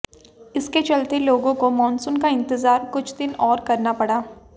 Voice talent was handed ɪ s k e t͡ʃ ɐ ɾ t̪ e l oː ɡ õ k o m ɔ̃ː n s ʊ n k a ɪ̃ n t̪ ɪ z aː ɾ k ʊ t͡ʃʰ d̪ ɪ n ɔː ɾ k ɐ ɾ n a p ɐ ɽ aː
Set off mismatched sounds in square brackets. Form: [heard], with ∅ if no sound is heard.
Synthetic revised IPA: ɪ s k e t͡ʃ ɐ [l] t̪ e l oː ɡ õ k o m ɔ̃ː n s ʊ n k a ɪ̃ n t̪ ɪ z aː ɾ k ʊ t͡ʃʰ d̪ ɪ n ɔː ɾ k ɐ ɾ n a p ɐ ɽ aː